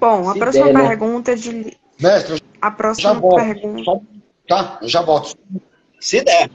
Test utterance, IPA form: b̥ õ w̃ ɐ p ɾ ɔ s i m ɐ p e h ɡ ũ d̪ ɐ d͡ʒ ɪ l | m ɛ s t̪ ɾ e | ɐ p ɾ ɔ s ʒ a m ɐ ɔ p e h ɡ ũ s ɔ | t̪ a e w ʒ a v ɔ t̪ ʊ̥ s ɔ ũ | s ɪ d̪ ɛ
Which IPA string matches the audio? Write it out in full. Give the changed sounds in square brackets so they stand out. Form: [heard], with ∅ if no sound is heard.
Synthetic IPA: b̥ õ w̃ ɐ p ɾ ɔ s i m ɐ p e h ɡ ũ [t̪] ɐ d͡ʒ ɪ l | m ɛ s t̪ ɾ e | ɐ p ɾ ɔ s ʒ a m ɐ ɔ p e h ɡ ũ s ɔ | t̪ a e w ʒ a v ɔ t̪ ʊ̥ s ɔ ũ | s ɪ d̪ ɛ